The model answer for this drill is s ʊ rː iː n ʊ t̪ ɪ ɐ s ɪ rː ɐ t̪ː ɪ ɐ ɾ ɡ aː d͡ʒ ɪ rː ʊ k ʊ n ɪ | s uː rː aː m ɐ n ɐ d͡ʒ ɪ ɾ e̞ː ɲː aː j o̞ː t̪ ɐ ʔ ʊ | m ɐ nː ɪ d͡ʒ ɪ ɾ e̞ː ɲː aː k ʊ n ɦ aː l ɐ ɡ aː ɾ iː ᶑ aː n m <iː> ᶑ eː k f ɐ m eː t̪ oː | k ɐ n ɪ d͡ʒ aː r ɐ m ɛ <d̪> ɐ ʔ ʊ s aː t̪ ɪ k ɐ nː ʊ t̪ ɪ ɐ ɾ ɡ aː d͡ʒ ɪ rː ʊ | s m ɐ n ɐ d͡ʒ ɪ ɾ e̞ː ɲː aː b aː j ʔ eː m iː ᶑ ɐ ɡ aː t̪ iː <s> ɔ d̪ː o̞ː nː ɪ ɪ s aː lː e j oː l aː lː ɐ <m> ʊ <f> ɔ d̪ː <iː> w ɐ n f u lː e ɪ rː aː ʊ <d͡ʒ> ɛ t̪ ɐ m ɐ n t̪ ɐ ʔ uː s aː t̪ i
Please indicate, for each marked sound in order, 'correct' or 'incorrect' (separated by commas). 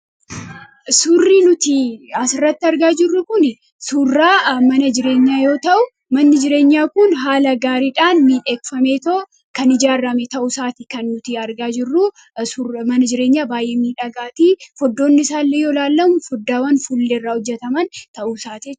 correct, incorrect, incorrect, correct, correct, incorrect, incorrect